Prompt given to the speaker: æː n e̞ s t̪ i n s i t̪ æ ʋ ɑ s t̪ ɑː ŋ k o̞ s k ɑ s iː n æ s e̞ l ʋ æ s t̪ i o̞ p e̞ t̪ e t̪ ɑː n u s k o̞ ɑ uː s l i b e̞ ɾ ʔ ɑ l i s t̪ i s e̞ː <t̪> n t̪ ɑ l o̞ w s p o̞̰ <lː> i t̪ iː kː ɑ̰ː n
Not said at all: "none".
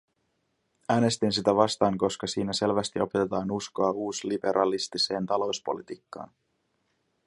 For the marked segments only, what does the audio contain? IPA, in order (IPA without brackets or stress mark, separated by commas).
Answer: none, l